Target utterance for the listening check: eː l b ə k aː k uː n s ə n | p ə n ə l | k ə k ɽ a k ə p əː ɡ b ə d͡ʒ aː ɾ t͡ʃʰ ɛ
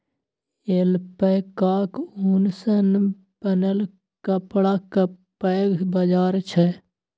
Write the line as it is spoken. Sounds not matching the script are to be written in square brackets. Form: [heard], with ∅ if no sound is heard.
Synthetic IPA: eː l [p] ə k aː k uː n s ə n | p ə n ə l | k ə [p] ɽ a k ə p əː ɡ b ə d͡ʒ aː ɾ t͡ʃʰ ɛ